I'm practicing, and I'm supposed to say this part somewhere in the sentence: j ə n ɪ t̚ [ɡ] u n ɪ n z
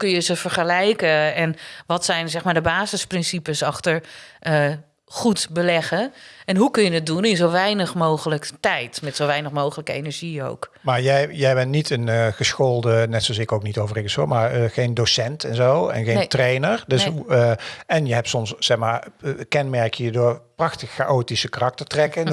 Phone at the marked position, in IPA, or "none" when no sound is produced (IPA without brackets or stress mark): d